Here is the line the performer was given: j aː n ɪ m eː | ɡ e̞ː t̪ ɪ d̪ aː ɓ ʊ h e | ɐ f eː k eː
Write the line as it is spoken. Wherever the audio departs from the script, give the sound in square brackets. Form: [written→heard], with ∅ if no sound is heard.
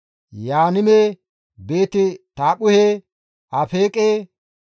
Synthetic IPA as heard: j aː n ɪ m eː | [ɡ→b] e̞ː t̪ ɪ [d̪→t̪] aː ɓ ʊ h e | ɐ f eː [k→kʼ] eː